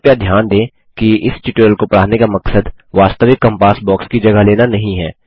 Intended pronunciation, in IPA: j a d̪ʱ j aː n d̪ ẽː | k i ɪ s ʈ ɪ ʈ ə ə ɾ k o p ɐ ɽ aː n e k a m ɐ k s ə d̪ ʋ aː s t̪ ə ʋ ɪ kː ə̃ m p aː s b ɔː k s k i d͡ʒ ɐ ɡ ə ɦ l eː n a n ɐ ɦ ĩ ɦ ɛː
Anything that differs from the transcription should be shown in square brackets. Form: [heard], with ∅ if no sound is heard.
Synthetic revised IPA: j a d̪ʱ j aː n d̪ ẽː | k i ɪ s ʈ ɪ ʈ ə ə [l] k o p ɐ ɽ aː n e k a m ɐ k s ə d̪ ʋ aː s t̪ ə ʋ ɪ kː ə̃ m p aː s b ɔː k s k i d͡ʒ ɐ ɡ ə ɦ l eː n a n ɐ ɦ ĩ ɦ ɛː